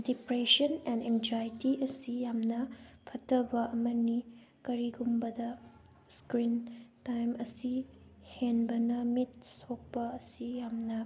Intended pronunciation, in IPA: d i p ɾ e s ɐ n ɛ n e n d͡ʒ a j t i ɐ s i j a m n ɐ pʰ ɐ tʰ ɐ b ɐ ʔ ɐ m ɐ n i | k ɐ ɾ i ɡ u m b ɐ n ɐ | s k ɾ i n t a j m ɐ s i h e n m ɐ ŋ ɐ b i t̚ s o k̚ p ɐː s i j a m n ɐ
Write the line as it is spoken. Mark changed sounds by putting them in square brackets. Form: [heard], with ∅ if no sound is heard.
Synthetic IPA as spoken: d i p ɾ e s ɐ n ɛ n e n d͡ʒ a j t i ɐ s i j a m n ɐ pʰ ɐ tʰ ɐ b ɐ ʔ ɐ m ɐ n i | k ɐ ɾ i ɡ u m b ɐ [d] ɐ | s k ɾ i n t a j m ɐ s i h e n [b] ɐ [n] ɐ [m] i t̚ s o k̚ p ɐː s i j a m n ɐ

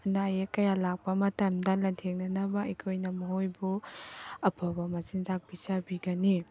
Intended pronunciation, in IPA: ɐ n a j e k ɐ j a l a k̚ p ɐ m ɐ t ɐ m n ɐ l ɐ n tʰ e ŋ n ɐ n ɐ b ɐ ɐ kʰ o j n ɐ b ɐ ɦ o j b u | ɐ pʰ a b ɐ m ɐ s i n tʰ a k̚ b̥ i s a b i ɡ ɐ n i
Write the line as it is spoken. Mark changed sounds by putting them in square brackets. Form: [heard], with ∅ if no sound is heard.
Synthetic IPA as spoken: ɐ n a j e k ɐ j a l a k̚ p ɐ m ɐ t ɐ m [d] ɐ l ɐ n tʰ e ŋ n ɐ n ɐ b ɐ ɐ kʰ o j n ɐ [m] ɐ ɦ o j b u | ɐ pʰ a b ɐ m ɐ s i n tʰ a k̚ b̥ i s a b i ɡ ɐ n i

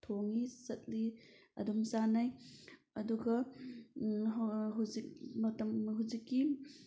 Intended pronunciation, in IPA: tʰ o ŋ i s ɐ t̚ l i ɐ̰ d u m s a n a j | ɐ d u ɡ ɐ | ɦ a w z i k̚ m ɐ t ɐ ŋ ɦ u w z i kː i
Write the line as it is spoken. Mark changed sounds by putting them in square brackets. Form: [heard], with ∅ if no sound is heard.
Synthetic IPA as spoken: tʰ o ŋ i s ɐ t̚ l i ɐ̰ d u m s a n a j | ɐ d u ɡ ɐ | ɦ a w z i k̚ m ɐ t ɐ [m] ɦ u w z i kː i

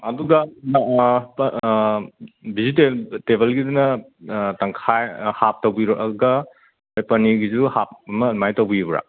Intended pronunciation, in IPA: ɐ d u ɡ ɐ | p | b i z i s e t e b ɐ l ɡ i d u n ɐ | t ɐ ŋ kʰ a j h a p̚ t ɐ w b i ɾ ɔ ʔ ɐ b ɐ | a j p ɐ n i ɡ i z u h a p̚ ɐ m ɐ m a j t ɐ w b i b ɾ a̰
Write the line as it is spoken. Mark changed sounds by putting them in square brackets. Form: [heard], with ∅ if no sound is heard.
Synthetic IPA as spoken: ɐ d u ɡ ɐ | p | b i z i [t] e t e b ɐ l ɡ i d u n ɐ | t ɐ ŋ kʰ a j h a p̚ t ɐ w b i ɾ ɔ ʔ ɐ [ɡ] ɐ | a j p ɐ n i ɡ i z u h a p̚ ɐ m ɐ m a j t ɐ w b i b ɾ a̰

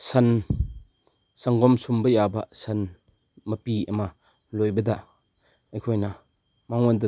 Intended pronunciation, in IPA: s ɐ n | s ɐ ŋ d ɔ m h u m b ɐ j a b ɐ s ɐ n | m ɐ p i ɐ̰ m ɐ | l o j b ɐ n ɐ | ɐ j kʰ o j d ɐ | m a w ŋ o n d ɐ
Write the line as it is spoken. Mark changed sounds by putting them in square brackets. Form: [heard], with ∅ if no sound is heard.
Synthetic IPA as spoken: s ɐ n | s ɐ ŋ [ɡ] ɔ m [s] u m b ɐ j a b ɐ s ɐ n | m ɐ p i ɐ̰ m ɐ | l o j b ɐ [d] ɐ | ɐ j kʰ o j [n] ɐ | m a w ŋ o n d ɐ

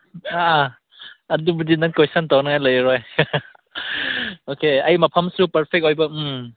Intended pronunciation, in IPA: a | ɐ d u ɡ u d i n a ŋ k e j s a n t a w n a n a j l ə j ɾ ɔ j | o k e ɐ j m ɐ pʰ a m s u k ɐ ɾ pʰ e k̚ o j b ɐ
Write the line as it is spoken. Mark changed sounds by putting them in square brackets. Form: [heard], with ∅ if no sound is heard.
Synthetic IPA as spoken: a | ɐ d u [b] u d i n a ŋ k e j s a n t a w n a [ŋ] a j l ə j ɾ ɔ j | o k e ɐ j m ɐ pʰ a m s u [p] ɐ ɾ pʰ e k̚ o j b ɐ

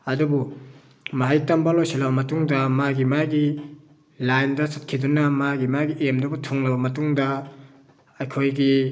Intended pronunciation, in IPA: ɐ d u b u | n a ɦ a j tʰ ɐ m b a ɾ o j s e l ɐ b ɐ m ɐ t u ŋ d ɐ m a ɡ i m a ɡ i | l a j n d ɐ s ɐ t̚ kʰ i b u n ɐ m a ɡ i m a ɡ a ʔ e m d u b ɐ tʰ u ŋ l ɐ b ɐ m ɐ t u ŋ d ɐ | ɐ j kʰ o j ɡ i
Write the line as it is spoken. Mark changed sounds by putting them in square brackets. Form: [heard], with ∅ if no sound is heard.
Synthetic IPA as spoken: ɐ d u b u | [m] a ɦ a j [t] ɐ m b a [l] o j s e l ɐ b ɐ m ɐ t u ŋ d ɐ m a ɡ i m a ɡ i | l a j n d ɐ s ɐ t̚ kʰ i [d] u n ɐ m a ɡ i m a ɡ [i] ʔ e m d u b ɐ tʰ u ŋ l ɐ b ɐ m ɐ t u ŋ d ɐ | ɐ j kʰ o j ɡ i

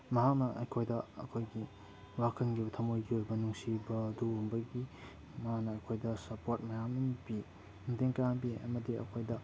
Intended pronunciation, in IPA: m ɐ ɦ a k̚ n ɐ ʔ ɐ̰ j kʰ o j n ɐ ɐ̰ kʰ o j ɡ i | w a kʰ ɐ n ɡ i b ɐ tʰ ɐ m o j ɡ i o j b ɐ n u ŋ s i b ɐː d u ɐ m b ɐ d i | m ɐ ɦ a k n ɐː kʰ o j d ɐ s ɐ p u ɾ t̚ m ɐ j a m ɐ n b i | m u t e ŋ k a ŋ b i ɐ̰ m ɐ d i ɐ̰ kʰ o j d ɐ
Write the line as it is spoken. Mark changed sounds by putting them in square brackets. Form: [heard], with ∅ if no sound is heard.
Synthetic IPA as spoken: m ɐ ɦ a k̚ n ɐ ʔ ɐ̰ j kʰ o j [d] ɐ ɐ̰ kʰ o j ɡ i | w a kʰ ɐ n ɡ i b ɐ tʰ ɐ m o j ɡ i o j b ɐ n u ŋ s i b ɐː d u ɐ m b ɐ [ɡ] i | m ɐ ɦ a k n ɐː kʰ o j d ɐ s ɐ p [o] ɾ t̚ m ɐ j a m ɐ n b i | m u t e ŋ k a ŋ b i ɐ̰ m ɐ d i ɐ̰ kʰ o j d ɐ

